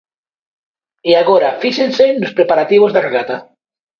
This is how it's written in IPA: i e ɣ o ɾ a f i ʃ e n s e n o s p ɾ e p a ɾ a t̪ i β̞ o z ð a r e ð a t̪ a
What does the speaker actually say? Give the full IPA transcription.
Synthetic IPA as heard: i a ɣ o ɾ a f i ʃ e n s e n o s p ɾ e p a ɾ a t̪ i β̞ o z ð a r e ɣ a t̪ a